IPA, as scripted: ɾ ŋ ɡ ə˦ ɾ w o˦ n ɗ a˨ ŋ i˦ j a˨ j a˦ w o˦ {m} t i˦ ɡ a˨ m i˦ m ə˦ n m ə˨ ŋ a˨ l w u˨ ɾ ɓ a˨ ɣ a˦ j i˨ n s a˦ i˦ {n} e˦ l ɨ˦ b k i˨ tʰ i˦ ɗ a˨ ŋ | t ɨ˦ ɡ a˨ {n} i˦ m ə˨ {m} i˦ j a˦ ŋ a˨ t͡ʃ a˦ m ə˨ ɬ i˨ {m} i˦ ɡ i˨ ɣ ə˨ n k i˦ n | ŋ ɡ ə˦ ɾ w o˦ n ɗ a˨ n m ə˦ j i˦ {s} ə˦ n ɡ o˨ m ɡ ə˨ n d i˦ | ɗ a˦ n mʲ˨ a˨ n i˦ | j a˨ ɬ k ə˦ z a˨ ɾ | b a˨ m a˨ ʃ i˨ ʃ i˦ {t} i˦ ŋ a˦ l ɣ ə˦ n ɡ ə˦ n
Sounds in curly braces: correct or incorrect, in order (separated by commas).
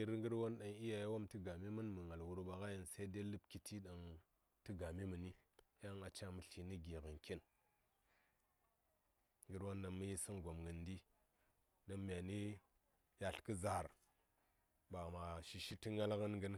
correct, incorrect, incorrect, incorrect, incorrect, correct, correct